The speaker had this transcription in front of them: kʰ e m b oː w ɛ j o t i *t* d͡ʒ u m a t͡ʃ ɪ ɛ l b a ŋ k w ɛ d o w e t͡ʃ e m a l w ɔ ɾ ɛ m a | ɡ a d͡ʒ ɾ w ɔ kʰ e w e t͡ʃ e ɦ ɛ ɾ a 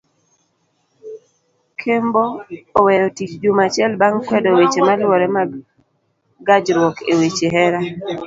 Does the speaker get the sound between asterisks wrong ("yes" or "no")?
yes